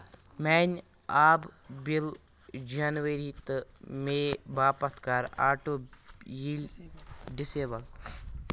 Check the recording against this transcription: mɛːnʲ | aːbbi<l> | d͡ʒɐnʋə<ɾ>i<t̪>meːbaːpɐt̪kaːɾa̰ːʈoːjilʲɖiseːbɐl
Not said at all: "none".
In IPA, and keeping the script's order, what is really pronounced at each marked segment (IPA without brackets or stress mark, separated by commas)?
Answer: l, ɾ, t̪